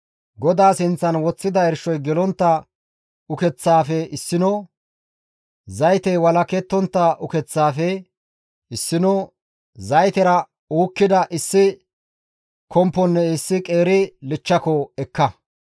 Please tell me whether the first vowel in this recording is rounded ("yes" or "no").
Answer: yes